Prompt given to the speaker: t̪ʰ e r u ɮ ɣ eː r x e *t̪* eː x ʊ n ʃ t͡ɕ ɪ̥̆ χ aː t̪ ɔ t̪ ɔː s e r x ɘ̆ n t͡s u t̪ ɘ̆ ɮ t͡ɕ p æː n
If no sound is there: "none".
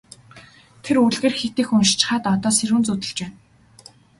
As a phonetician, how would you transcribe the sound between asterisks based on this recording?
t̪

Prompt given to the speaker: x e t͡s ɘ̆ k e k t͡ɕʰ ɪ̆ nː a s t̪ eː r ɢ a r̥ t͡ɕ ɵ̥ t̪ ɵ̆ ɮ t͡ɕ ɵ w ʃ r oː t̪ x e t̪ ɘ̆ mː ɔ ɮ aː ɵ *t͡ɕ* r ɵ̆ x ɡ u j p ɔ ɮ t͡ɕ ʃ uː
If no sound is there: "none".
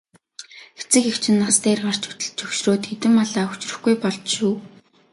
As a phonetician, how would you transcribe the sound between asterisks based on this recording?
t͡ɕ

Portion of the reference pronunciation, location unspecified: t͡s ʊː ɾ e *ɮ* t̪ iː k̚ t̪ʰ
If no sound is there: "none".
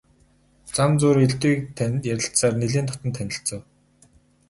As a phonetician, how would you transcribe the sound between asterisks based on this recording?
ɮ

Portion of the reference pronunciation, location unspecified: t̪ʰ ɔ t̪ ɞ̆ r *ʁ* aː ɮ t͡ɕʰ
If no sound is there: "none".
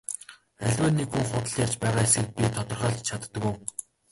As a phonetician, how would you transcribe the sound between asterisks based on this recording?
χ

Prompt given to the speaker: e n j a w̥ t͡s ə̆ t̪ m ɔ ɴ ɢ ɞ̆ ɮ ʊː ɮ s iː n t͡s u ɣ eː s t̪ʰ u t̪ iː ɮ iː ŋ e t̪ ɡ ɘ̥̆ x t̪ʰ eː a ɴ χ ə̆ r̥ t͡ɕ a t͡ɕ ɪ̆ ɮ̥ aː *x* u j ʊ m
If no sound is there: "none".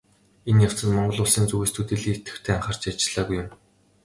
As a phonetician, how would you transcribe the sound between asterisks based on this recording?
ɣ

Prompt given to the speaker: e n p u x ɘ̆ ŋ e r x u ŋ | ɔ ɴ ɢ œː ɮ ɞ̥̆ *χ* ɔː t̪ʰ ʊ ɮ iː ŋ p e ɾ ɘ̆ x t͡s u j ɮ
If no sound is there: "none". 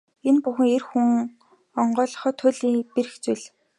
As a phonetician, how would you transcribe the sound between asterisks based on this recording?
χ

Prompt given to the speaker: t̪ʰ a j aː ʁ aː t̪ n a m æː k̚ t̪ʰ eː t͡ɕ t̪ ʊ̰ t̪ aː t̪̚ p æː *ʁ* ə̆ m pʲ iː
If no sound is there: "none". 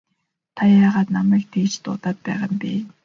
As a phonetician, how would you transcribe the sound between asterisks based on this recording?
ʁ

